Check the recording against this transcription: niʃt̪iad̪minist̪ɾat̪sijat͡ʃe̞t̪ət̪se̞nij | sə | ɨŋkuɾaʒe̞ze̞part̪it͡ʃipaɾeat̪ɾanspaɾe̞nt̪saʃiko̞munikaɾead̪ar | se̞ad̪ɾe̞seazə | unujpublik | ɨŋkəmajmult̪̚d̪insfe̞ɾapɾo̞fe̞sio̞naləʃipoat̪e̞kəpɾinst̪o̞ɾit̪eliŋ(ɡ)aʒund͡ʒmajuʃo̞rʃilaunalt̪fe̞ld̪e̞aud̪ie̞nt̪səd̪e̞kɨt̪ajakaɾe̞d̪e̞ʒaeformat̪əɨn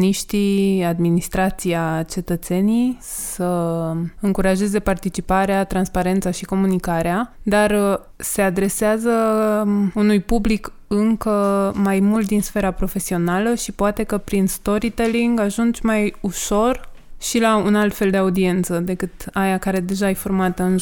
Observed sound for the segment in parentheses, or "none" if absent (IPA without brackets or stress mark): ɡ